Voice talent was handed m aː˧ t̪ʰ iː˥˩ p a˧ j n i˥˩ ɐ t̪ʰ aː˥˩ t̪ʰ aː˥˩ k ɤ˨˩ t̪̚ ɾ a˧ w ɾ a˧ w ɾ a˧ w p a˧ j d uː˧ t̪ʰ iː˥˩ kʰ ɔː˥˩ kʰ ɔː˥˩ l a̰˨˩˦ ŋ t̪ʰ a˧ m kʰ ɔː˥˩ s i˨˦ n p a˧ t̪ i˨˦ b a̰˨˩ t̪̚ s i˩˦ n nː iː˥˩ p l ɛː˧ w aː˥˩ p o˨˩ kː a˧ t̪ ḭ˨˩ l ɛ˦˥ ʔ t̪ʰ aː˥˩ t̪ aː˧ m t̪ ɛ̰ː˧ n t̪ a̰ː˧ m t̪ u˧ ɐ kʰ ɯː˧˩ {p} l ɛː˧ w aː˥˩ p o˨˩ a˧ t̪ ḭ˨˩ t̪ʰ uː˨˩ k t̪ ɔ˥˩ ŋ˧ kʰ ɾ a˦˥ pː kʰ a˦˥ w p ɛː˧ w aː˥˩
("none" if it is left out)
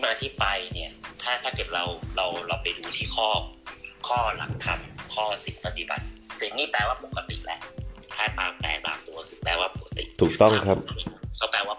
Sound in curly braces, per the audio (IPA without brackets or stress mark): p